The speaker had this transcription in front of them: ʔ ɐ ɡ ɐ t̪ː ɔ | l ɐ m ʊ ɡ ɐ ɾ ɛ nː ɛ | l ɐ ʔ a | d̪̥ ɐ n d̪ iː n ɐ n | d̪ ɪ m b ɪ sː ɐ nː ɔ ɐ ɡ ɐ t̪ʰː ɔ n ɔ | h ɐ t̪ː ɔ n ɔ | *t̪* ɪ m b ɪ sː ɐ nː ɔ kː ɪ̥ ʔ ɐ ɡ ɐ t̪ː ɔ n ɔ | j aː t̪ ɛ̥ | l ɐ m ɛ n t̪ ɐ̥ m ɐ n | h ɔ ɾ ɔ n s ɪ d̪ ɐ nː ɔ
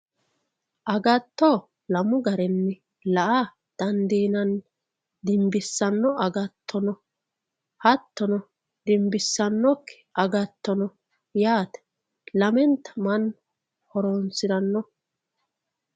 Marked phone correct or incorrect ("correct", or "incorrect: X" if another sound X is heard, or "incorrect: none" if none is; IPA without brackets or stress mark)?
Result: incorrect: d̪